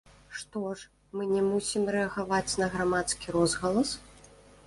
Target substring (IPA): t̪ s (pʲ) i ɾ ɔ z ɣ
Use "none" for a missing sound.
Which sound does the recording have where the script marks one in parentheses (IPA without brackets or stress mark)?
kʲ